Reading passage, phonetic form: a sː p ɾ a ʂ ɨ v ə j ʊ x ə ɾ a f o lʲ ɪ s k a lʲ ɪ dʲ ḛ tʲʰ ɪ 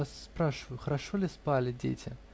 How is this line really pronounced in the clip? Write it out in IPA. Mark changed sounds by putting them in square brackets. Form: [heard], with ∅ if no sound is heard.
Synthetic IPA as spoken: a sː p ɾ a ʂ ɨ v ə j ʊ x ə ɾ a [ʂ] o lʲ ɪ s [p] a lʲ ɪ dʲ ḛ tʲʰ ɪ